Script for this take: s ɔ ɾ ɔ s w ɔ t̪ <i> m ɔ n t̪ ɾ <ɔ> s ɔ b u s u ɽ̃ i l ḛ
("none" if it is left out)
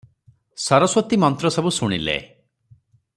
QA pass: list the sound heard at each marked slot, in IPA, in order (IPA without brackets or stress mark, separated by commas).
i, ɔ